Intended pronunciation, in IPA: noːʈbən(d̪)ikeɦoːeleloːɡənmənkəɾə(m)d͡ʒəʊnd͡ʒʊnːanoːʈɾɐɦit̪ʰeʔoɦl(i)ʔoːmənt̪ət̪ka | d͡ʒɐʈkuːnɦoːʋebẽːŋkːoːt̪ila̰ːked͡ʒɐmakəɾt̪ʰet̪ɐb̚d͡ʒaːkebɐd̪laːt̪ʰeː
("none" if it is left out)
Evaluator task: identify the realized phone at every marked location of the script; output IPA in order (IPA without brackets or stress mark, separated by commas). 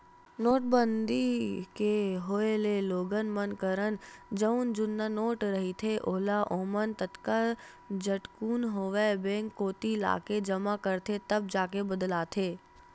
d̪, n, a